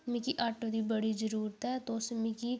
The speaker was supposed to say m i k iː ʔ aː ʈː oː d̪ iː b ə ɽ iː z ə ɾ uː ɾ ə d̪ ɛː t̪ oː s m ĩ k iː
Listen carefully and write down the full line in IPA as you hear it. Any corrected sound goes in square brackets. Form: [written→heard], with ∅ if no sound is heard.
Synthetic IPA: m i k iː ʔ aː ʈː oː d̪ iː b ə ɽ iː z ə ɾ uː ɾ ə [d̪→t̪] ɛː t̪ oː s m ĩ k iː